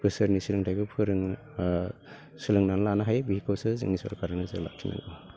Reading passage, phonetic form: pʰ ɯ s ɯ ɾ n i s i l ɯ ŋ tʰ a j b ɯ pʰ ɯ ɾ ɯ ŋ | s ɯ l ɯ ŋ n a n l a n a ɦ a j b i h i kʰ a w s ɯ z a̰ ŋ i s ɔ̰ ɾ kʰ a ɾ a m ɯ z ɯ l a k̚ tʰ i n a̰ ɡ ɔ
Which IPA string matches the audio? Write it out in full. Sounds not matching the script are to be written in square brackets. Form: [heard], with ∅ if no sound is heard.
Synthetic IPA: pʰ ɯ s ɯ ɾ n i s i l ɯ ŋ tʰ a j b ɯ pʰ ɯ ɾ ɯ ŋ | s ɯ l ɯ ŋ n a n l a n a ɦ a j b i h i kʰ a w s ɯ z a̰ ŋ i s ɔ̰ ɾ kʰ a ɾ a [n] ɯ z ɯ l a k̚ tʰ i n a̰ ɡ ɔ